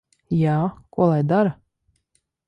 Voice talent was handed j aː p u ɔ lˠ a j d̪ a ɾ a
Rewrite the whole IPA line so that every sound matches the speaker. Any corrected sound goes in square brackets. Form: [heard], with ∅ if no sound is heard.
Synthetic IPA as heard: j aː [k] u ɔ lˠ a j d̪ a ɾ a